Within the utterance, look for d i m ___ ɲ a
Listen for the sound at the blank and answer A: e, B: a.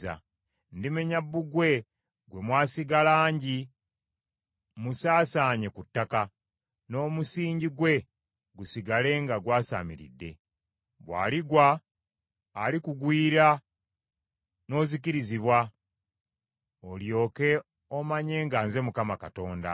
A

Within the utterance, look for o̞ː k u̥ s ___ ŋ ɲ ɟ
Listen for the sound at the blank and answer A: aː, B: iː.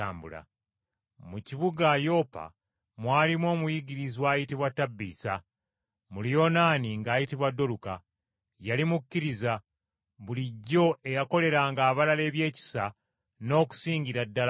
B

